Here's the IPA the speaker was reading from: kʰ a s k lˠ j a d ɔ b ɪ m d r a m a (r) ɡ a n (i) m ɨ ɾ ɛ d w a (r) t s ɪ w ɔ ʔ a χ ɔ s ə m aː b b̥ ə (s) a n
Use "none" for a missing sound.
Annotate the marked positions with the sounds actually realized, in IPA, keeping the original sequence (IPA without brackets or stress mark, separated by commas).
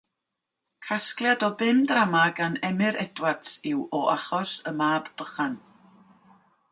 none, ɛ, r, χ